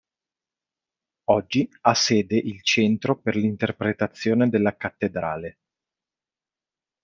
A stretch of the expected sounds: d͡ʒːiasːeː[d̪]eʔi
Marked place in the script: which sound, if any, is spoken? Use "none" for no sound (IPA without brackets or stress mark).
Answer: d̪